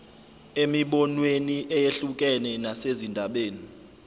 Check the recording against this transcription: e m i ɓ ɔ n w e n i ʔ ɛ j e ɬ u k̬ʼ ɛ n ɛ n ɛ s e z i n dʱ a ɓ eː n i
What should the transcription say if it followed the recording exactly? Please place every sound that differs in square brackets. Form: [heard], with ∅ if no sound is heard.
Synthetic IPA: e m i ɓ ɔ n w e n i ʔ ɛ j e ɬ u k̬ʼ ɛ n ɛ n [a] s e z i n dʱ a ɓ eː n i